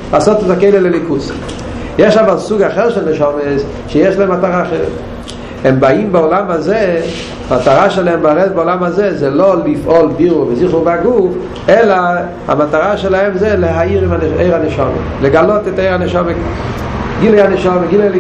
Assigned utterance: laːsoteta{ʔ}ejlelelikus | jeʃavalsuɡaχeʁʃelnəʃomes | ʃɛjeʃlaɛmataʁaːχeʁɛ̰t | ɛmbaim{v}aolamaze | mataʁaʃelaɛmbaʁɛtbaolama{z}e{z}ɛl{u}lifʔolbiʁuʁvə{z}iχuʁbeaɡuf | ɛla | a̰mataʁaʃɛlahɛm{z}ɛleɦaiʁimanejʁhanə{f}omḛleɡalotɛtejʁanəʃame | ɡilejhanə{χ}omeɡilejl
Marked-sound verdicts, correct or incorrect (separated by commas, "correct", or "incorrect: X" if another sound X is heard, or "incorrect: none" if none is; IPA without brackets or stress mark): incorrect: k, incorrect: b, correct, correct, incorrect: o, correct, correct, incorrect: ʃ, incorrect: ʃ